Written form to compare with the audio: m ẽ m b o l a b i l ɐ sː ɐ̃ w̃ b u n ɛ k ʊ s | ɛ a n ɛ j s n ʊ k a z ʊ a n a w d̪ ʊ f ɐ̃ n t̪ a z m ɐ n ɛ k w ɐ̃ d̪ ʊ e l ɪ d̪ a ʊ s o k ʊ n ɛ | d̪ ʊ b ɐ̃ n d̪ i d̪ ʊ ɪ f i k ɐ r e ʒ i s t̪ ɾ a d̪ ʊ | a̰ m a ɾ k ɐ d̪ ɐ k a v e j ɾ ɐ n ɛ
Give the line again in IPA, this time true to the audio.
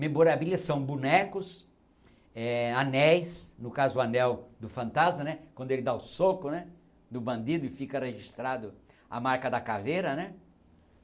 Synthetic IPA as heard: m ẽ m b o ɾ a b i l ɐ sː ɐ̃ w̃ b u n ɛ k ʊ s | ɛ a n ɛ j s n ʊ k a z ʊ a n ɛ w d̪ ʊ f ɐ̃ n t̪ a z m ɐ n ɛ k w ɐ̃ d̪ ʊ e l ɪ d̪ a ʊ s o k ʊ n ɛ | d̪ ʊ b ɐ̃ n d̪ i d̪ ʊ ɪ f i k ɐ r e ʒ i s t̪ ɾ a d̪ ʊ | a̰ m a ɾ k ɐ d̪ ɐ k a v e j ɾ ɐ n ɛ